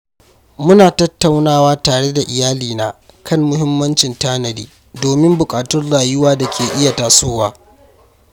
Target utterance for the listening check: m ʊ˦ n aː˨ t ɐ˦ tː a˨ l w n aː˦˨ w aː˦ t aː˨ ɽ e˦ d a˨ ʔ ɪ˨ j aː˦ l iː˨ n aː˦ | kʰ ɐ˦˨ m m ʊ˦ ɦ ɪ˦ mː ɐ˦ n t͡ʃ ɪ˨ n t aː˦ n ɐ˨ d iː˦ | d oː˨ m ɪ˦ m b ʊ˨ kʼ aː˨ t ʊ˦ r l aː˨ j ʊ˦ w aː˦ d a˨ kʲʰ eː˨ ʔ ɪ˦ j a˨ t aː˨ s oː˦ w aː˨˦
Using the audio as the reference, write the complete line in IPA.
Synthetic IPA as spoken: m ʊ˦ n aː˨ t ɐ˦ tː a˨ w n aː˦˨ w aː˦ t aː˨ ɽ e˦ d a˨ ʔ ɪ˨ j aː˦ l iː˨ n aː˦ | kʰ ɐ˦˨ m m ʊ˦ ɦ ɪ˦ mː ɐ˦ n t͡ʃ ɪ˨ n t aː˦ n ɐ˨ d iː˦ | d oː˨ m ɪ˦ m b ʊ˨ kʼ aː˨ t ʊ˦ r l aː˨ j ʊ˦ w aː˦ d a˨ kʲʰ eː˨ ʔ ɪ˦ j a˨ t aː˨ s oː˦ w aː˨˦